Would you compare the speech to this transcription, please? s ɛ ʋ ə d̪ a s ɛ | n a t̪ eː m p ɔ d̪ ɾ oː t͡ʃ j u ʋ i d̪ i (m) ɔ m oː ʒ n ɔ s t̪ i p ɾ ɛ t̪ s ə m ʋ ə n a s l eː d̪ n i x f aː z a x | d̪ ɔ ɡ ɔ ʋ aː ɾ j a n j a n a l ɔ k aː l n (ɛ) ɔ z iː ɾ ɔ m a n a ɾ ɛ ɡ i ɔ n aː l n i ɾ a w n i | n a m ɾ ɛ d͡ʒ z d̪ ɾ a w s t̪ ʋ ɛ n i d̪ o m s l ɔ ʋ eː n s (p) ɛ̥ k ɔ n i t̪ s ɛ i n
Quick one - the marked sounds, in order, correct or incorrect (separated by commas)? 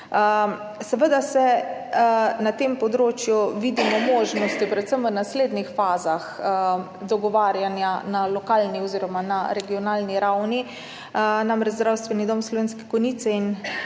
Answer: correct, incorrect, incorrect